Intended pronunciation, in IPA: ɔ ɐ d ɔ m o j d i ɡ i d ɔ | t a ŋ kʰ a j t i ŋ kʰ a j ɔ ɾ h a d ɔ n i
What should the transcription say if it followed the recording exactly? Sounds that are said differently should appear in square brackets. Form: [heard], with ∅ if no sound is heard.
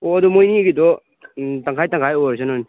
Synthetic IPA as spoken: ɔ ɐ d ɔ m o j [n] i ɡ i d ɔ | t a ŋ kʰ a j t [a] ŋ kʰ a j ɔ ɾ [s] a [n] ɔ n i